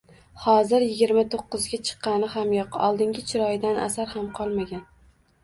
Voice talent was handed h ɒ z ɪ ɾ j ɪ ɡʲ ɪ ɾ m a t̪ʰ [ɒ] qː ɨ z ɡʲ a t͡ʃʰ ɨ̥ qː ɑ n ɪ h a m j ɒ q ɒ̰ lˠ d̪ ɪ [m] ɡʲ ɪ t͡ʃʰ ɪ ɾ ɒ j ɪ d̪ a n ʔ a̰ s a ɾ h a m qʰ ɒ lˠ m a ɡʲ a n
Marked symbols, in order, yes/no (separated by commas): no, no